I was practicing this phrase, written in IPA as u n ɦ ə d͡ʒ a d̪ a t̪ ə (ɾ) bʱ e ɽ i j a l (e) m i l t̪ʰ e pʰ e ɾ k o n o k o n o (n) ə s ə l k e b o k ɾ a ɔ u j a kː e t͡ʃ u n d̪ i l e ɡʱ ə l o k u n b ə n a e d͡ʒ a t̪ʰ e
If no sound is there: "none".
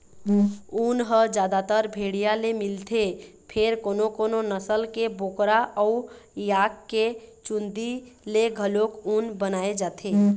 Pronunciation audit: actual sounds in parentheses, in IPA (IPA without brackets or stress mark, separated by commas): ɾ, e, n